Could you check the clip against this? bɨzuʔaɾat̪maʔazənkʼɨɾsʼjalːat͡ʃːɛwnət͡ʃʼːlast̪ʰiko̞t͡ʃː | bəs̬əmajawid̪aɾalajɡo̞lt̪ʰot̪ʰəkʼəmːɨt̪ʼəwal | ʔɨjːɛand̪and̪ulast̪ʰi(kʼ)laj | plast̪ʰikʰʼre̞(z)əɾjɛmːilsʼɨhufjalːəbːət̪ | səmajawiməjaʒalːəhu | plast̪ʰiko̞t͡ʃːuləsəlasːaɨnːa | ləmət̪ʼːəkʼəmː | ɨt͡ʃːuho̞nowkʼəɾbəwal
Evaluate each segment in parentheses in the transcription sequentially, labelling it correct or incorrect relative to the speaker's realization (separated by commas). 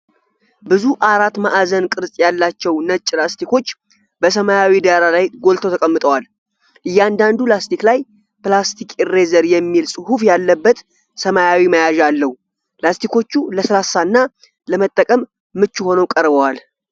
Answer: incorrect, correct